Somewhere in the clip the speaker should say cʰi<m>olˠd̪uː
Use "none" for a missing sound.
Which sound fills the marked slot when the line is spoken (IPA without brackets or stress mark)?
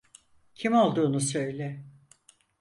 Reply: m